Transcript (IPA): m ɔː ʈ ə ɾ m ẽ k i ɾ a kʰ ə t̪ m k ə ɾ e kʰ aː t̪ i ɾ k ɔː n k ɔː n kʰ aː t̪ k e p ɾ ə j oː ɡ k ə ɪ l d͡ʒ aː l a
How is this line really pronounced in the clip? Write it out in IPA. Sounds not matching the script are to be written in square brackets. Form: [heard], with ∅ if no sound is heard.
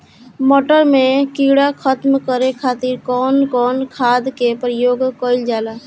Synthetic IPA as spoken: m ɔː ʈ ə ɾ m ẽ k i [ɽ] a kʰ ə t̪ m k ə ɾ e kʰ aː t̪ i ɾ k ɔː n k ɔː n kʰ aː [d̪] k e p ɾ ə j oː ɡ k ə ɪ l d͡ʒ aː l a